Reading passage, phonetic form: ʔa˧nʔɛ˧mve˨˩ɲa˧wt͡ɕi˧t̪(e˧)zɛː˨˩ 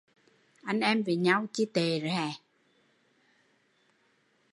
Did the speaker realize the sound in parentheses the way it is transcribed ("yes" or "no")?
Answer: no